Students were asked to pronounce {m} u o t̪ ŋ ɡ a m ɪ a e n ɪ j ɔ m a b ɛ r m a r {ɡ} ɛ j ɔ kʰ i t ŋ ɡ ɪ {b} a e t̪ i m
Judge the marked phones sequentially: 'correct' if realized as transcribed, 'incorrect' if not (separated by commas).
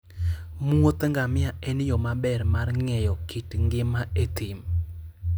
correct, incorrect, incorrect